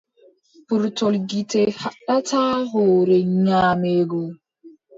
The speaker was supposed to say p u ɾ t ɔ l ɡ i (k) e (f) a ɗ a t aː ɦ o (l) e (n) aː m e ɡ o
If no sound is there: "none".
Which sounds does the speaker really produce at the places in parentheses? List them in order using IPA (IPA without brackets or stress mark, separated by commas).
t, h, ɾ, ɲ